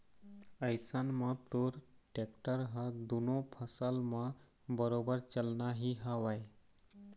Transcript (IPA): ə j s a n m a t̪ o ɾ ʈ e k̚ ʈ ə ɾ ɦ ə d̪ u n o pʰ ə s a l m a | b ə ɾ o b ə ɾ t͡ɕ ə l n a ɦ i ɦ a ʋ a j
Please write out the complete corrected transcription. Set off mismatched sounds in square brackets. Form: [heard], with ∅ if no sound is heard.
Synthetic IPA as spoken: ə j s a n m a t̪ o ɾ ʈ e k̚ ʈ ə ɾ ɦ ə d̪ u n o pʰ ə s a l m a | b ə ɾ o b ə ɾ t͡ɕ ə l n a ɦ i ɦ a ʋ a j